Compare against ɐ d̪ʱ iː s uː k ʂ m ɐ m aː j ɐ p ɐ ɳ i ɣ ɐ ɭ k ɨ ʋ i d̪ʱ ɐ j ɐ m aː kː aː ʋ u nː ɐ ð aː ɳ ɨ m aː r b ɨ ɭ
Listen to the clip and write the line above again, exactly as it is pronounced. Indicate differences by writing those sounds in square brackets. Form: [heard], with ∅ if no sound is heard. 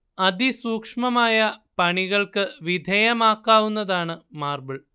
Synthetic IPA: ɐ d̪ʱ [i] s uː k ʂ m ɐ m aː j ɐ p ɐ ɳ i ɣ ɐ ɭ k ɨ ʋ i d̪ʱ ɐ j ɐ m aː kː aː ʋ u nː ɐ ð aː ɳ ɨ m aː r b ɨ ɭ